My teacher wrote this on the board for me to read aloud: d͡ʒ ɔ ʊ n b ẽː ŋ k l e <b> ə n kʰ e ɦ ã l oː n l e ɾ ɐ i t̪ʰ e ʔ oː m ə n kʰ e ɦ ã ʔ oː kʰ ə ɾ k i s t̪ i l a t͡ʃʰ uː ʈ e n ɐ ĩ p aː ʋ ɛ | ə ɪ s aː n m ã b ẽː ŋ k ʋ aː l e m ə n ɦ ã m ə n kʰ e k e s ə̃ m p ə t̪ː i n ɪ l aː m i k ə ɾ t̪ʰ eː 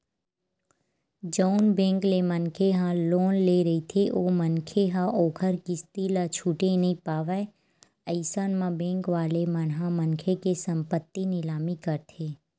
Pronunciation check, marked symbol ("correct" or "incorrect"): incorrect